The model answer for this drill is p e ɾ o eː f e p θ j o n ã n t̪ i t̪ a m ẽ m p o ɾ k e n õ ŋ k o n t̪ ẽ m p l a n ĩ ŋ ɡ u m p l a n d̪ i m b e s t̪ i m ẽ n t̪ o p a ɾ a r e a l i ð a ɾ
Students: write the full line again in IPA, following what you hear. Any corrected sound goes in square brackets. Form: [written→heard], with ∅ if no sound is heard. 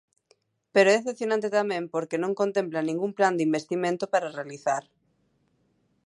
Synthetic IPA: p e ɾ o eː [f→θ] e p θ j o n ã n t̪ [i→e] t̪ a m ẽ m p o ɾ k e n õ ŋ k o n t̪ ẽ m p l a n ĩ ŋ ɡ u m p l a n d̪ i m b e s t̪ i m ẽ n t̪ o p a ɾ a r e a l i [ð→θ] a ɾ